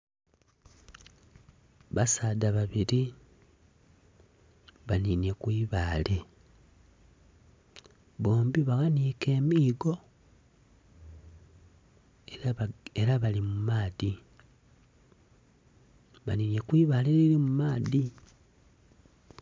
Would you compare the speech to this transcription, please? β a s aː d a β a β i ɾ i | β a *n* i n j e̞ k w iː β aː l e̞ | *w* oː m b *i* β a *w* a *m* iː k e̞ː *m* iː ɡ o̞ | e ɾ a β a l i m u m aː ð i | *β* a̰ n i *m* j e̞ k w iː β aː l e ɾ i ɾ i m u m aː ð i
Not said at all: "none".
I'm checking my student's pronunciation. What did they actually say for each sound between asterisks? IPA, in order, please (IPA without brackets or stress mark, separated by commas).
n, β, i, ɣ, n, m, β, n